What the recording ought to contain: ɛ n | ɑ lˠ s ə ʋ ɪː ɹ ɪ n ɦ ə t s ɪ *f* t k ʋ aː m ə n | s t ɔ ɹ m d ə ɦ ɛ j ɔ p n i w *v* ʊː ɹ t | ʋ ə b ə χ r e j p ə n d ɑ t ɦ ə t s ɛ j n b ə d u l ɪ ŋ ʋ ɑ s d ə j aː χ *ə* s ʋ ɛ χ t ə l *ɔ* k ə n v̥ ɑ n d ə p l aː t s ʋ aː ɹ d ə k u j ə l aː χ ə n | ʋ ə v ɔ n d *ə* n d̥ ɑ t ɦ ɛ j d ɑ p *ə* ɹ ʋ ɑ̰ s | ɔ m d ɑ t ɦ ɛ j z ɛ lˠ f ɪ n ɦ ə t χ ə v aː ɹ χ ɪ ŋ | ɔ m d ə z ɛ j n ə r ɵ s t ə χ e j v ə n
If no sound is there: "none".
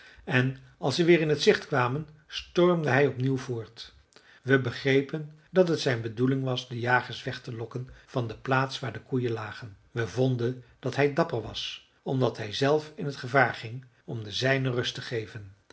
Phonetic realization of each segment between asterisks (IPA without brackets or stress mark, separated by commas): χ, v, ə, ɔ, ə, ə